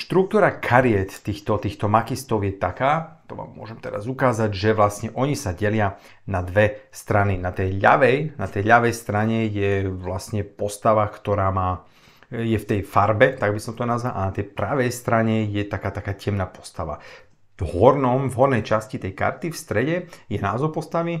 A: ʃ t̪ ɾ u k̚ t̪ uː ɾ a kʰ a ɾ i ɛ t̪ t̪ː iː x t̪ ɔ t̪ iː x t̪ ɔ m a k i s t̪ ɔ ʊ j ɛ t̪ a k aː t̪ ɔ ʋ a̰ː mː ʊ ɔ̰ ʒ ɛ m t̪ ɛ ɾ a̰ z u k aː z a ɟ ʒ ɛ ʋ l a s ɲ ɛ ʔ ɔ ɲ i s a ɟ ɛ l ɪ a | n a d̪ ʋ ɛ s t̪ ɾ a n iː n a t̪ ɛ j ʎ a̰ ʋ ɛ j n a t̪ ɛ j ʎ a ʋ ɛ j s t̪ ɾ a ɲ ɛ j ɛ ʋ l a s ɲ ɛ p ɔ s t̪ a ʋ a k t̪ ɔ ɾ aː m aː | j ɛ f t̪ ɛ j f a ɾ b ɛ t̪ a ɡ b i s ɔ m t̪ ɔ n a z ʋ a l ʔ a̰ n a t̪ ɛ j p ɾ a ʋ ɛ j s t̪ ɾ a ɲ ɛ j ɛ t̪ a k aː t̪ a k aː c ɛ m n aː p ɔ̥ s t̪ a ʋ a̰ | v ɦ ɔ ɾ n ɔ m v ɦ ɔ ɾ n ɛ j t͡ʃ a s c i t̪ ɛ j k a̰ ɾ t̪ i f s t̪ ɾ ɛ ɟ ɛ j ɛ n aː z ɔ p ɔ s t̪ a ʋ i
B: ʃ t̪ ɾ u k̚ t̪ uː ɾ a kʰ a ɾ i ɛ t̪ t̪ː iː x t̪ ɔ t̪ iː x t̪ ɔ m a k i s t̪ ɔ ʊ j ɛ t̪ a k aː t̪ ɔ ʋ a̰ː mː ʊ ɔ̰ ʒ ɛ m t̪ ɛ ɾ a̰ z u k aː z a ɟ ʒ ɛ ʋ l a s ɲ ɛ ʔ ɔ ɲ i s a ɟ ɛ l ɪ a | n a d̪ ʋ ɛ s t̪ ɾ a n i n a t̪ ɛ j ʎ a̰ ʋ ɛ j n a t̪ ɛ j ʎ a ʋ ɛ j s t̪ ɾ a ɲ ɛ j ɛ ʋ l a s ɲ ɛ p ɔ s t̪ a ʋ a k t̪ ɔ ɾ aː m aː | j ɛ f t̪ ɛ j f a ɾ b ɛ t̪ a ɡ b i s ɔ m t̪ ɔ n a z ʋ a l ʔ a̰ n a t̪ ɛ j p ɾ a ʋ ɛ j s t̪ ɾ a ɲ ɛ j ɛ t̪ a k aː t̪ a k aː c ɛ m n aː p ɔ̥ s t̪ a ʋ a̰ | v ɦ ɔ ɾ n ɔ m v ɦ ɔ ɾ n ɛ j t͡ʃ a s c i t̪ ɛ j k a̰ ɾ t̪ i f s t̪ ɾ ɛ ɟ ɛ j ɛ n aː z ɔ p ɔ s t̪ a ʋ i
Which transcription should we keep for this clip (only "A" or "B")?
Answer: B